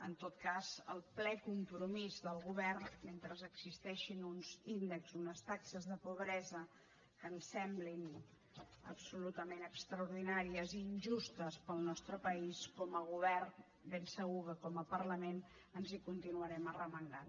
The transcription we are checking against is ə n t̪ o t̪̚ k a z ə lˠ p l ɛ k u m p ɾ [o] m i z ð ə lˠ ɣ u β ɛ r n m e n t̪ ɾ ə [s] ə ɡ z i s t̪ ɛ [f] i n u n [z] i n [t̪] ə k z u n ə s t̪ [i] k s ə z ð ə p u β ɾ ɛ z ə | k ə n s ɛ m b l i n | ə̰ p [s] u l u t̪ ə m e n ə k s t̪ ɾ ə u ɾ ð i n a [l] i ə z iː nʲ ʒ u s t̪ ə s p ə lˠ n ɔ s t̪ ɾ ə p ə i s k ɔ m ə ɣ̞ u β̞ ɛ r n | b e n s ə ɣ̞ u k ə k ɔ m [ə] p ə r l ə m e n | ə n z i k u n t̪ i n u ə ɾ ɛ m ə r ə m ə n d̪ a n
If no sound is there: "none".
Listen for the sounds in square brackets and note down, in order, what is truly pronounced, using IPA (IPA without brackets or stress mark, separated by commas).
u, z, ʃ, z, d̪, a, s, ɾ, ə